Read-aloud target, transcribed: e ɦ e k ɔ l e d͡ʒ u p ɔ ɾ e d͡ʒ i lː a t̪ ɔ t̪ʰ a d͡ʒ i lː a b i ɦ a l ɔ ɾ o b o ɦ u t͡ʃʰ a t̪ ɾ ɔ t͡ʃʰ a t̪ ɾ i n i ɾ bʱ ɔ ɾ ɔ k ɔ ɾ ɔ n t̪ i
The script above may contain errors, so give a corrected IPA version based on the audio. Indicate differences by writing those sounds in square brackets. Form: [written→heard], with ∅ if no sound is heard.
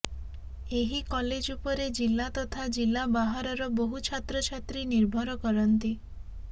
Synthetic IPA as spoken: e ɦ [e→i] k ɔ l e d͡ʒ u p ɔ ɾ e d͡ʒ i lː a t̪ ɔ t̪ʰ a d͡ʒ i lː a b [i→a] ɦ a [l→ɾ] ɔ ɾ [o→ɔ] b o ɦ u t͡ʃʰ a t̪ ɾ ɔ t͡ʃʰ a t̪ ɾ i n i ɾ bʱ ɔ ɾ ɔ k ɔ ɾ ɔ n t̪ i